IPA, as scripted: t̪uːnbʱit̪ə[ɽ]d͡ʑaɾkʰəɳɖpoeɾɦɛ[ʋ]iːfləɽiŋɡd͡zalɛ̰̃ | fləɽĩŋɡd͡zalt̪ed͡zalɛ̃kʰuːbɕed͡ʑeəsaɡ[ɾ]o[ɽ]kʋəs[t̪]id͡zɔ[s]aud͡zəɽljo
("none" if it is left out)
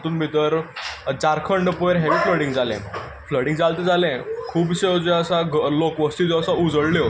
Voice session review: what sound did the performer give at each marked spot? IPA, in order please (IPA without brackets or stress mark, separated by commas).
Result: ɾ, ʋ, l, none, t̪, s